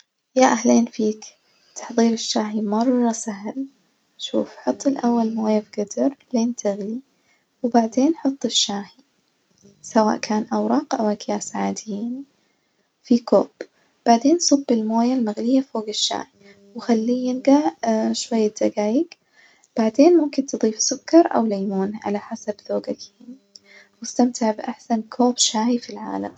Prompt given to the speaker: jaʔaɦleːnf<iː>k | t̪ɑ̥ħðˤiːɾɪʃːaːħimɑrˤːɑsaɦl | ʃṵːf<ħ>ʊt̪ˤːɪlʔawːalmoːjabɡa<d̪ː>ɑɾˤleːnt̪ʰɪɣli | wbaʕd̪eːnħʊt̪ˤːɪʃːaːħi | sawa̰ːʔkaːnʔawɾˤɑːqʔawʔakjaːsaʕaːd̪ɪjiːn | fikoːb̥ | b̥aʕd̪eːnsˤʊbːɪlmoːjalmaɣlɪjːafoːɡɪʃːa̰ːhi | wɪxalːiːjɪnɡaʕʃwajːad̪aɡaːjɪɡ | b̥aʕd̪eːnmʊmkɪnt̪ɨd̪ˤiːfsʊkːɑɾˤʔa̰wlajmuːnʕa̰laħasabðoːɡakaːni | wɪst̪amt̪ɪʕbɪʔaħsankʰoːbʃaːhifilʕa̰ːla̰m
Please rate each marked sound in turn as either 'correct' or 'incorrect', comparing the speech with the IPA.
correct, correct, incorrect: d̪

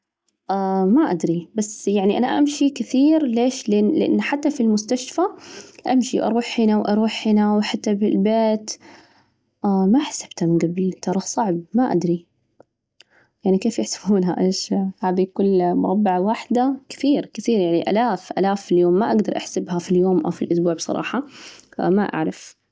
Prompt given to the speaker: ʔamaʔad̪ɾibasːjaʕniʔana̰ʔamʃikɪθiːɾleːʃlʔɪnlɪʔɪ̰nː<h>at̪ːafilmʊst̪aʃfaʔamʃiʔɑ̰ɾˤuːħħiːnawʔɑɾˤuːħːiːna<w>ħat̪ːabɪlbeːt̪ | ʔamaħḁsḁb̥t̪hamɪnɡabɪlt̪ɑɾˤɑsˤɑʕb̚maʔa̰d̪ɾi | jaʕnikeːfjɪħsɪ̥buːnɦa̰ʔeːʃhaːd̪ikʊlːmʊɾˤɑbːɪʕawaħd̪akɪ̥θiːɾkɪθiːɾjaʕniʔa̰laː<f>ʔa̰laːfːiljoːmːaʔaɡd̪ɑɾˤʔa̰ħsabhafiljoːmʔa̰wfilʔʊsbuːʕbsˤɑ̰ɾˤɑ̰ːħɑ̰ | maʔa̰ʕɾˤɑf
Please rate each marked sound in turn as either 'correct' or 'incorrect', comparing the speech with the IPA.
incorrect: ħ, correct, correct

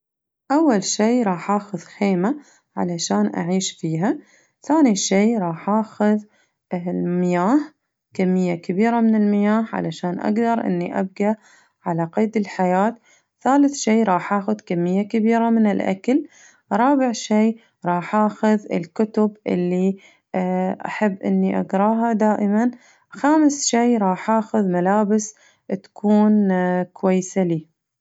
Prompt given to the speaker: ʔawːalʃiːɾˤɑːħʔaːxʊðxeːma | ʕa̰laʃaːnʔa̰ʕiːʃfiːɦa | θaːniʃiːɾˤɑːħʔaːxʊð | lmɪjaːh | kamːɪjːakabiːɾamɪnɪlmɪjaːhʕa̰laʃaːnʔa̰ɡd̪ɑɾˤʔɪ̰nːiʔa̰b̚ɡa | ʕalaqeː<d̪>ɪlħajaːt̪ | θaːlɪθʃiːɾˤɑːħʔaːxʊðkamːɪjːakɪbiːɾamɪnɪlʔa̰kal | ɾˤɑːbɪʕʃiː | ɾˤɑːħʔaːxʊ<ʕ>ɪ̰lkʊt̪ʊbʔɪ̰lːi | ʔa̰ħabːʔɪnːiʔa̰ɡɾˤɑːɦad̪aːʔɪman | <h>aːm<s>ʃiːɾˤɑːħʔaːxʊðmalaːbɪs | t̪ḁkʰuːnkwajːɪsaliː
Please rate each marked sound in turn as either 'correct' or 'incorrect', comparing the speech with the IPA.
correct, incorrect: ð, incorrect: x, correct

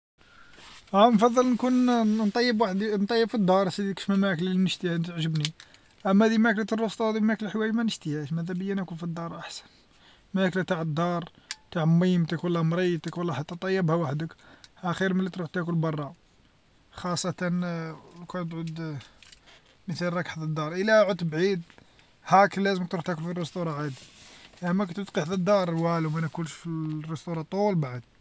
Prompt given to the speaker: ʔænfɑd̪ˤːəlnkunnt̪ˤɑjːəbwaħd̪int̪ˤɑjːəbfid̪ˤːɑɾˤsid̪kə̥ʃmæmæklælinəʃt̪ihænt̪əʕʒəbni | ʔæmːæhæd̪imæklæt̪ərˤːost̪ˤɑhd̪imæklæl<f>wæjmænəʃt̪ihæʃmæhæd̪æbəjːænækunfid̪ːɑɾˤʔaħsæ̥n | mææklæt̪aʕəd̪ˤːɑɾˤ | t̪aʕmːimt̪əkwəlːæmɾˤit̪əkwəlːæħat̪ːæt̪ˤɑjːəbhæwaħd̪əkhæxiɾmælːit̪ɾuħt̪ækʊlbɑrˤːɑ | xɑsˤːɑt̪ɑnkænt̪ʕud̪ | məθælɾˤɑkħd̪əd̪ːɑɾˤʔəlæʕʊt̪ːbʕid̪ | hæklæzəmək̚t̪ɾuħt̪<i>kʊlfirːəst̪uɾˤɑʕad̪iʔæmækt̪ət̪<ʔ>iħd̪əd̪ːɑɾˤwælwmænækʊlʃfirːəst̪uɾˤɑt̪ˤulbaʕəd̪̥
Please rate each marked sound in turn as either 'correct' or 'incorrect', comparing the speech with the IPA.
incorrect: ħ, incorrect: æ, incorrect: q

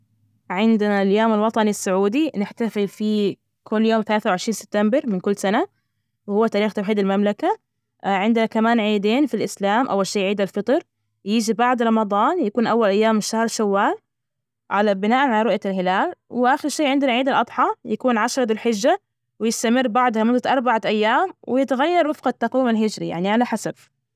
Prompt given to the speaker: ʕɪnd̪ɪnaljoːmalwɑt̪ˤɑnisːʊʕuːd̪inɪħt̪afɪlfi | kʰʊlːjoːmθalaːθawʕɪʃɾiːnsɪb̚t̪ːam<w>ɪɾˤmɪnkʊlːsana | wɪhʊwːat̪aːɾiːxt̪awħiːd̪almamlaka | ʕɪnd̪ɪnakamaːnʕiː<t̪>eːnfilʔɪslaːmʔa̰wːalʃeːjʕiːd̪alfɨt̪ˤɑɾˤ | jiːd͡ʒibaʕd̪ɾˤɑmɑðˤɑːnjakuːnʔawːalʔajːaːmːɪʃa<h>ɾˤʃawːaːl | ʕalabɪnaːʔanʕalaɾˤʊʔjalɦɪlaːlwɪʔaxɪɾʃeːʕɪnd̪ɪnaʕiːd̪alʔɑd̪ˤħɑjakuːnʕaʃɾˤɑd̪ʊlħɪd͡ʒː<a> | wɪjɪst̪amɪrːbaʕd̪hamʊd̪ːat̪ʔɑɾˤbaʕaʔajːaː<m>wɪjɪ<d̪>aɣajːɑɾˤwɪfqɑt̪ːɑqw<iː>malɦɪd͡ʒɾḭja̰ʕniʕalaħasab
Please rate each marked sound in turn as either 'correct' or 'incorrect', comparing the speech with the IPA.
incorrect: b, incorrect: d̪, correct, correct, correct, incorrect: t̪, correct

